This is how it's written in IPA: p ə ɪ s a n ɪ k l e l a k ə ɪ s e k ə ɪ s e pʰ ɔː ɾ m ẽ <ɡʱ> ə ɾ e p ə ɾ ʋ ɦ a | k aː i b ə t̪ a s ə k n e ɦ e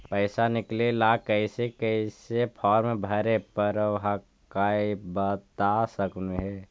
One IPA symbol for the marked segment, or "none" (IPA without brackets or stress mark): bʱ